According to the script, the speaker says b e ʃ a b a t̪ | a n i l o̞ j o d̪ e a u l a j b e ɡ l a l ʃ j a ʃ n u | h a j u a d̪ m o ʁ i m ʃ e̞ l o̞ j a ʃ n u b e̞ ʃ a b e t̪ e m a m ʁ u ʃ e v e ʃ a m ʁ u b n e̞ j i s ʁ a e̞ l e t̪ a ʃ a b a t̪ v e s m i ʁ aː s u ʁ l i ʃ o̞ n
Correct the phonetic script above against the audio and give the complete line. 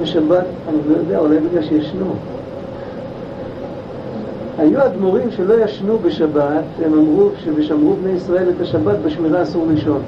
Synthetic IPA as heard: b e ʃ a b a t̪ | a n i l o̞ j o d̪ e a u l a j b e ɡ l a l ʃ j a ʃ n u | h a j u a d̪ m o ʁ i m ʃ e̞ l o̞ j a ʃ n u b e̞ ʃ a b a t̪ e m a m ʁ u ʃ e v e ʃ a m ʁ u b n e̞ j i s ʁ a e̞ l e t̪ a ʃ a b a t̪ b e ʃ m i ʁ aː s u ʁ l i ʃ o̞ n